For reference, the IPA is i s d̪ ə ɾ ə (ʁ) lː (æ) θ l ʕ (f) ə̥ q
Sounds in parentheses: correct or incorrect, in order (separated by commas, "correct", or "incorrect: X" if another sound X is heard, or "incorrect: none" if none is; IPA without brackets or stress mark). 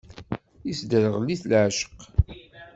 correct, incorrect: i, incorrect: ʃ